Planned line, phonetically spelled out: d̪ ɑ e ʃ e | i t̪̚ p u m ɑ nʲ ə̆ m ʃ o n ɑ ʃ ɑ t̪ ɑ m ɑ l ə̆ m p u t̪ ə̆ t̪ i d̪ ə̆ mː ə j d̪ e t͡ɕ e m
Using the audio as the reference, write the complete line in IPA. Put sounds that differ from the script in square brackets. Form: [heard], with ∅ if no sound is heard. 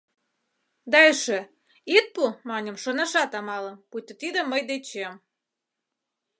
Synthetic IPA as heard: d̪ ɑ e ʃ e | i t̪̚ p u m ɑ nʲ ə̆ m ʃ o n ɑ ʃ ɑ t̪ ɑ m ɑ l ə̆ m p u t̪ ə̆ t̪ i d̪ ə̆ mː ə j d̪ e t͡ɕ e m

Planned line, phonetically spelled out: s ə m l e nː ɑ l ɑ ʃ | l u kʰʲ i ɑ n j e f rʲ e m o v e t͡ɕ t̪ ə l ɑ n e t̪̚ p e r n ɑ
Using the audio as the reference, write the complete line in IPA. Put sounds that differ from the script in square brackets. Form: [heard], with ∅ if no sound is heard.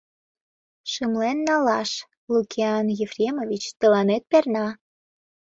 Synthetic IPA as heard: [ʃ] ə m l e nː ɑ l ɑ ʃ | l u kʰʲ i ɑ n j e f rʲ e m o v [i] t͡ɕ t̪ ə l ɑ n e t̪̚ p e r n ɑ

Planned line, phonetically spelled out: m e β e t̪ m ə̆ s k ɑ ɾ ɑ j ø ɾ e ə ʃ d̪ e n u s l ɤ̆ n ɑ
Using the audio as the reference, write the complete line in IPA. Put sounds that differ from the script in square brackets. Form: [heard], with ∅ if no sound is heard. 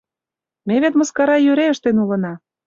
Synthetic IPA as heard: m e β e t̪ m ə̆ s k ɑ ɾ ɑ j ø ɾ e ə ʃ [t̪] e n u [∅] l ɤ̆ n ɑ

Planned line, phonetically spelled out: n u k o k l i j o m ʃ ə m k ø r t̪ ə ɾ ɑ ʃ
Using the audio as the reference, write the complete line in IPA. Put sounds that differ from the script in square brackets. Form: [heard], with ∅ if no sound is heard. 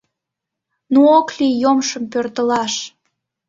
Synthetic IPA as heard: n u [∅] o k l i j o m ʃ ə m [p] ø r t̪ ə [l] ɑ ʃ

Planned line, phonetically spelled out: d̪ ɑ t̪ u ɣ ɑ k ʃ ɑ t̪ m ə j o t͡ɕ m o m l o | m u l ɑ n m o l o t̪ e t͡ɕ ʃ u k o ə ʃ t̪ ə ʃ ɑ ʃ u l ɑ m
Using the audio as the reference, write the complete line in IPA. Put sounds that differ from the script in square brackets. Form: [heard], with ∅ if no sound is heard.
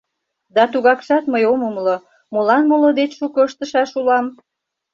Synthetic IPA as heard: d̪ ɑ t̪ u ɣ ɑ k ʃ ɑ t̪ m ə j o [∅] m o m l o | m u l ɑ n m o l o [d̪] e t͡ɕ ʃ u k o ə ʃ t̪ ə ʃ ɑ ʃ u l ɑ m

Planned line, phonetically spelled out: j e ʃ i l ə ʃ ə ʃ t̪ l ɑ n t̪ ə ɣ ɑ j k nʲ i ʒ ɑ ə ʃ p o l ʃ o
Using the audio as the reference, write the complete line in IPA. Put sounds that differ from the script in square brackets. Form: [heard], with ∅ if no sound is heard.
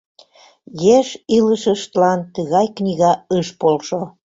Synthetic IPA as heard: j e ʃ i l ə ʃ ə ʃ t̪ l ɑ n t̪ ə ɣ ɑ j k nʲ i [ɣ] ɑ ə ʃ p o l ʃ o

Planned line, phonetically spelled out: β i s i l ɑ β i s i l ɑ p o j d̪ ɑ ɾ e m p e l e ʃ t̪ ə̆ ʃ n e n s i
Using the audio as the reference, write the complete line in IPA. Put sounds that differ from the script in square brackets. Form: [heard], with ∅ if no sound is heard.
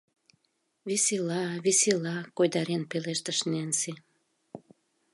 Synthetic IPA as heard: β i s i l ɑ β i s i l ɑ [k] o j d̪ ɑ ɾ e [n] p e l e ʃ t̪ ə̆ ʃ n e n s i

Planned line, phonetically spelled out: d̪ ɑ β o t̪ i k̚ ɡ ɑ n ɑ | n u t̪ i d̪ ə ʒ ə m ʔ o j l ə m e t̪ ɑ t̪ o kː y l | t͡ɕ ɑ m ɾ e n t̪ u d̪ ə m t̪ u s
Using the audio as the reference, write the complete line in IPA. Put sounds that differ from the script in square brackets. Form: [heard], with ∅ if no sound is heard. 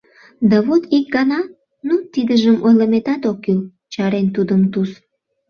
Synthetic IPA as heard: d̪ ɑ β o t̪ i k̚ ɡ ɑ n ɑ | n u t̪ i d̪ ə ʒ ə m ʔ o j l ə m e t̪ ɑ t̪ o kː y l | t͡ɕ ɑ [∅] ɾ e n t̪ u d̪ ə m t̪ u s

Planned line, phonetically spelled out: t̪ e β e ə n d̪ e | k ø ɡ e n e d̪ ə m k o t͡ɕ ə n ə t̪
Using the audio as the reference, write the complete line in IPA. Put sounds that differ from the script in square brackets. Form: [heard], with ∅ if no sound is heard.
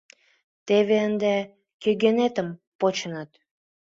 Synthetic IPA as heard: t̪ e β e ə n d̪ e | k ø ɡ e n e [t̪] ə m [p] o t͡ɕ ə n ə t̪

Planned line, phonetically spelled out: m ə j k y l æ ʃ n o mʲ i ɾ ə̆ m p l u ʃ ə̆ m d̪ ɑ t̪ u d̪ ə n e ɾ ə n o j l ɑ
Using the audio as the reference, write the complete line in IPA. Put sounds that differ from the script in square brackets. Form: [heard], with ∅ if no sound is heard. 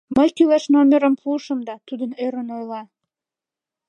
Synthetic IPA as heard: m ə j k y l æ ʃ n o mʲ [e] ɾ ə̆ m p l u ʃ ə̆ m d̪ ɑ t̪ u d̪ ə n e ɾ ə n o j l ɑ

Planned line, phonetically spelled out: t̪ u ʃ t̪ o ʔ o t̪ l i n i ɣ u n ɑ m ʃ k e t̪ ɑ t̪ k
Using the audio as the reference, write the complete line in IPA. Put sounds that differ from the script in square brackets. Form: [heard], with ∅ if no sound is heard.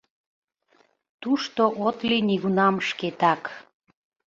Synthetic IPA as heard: t̪ u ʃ t̪ o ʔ o t̪ l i n i ɣ u n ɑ m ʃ k e t̪ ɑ [∅] k

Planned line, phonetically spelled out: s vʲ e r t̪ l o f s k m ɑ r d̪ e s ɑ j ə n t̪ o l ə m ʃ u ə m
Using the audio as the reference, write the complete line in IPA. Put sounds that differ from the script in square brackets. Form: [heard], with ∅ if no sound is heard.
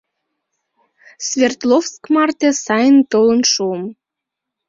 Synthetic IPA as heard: s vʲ e r t̪ l o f s k m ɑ r [t̪] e s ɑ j ə n t̪ o l ə [n] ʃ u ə m

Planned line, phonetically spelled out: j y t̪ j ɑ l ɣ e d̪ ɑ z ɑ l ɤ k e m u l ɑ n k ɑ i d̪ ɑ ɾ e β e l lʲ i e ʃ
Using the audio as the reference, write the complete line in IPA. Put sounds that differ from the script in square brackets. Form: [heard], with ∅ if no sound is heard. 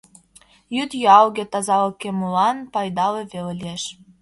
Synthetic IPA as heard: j y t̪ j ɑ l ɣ e [t̪] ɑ z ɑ l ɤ k e m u l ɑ n [p] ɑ [j] d̪ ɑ [l] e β e l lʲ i e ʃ

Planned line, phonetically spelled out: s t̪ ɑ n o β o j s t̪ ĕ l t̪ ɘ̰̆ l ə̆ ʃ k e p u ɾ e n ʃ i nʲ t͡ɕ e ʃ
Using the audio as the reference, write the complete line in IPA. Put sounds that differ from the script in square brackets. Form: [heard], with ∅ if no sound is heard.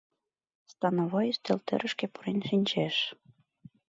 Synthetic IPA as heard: s t̪ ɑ n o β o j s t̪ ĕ l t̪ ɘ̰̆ [ɾ] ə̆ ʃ k e p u ɾ e n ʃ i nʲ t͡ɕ e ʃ

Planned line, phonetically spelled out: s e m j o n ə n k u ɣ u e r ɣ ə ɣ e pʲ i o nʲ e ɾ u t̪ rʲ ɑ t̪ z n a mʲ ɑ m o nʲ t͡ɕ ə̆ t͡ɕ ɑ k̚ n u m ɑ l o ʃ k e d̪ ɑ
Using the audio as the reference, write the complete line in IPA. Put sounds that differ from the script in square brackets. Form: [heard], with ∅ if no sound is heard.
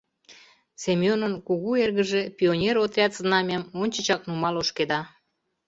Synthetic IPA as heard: s e m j o n ə n k u ɣ u e r ɣ ə [ʒ] e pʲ i o nʲ e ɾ [o] t̪ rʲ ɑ t̪ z n [ɑ] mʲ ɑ m o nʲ t͡ɕ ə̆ t͡ɕ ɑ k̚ n u m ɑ l o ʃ k e d̪ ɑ

